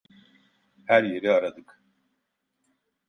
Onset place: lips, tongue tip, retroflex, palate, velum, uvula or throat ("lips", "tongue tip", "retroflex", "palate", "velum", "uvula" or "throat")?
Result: throat